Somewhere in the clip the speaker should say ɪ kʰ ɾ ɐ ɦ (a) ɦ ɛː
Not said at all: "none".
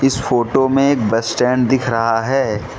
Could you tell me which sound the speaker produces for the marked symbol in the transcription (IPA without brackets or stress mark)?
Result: a